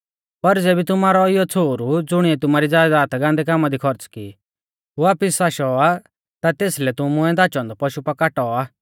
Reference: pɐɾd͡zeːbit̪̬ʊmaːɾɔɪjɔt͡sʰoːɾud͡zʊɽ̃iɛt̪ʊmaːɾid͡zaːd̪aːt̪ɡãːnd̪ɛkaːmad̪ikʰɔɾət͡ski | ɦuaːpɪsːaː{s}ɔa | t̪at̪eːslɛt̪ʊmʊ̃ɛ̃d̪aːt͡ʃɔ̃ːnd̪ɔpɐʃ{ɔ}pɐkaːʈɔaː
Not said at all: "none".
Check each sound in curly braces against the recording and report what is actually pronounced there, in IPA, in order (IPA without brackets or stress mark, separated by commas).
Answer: ʃ, u